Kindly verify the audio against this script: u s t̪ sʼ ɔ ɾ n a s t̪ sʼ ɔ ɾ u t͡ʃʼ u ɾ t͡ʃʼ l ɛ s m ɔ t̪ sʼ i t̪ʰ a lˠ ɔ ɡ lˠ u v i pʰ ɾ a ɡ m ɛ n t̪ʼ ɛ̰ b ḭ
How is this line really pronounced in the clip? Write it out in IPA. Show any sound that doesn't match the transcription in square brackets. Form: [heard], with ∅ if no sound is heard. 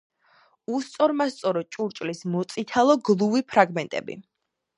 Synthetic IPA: u s t̪ sʼ ɔ ɾ [m] a s t̪ sʼ ɔ ɾ [ɔ] t͡ʃʼ u ɾ t͡ʃʼ l [i] s m ɔ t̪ sʼ i t̪ʰ a lˠ ɔ ɡ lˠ u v i pʰ ɾ a ɡ m ɛ n t̪ʼ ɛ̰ b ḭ